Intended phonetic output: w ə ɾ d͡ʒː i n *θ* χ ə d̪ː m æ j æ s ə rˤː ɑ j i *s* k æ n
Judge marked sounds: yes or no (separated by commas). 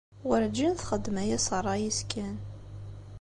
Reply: yes, yes